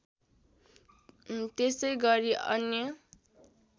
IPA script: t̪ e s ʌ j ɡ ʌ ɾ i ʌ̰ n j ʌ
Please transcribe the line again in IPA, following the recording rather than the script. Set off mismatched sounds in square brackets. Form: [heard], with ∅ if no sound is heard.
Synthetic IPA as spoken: t̪ e s ʌ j ɡ ʌ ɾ i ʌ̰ n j ʌ